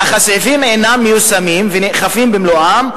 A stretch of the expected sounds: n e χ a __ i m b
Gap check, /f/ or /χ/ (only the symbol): f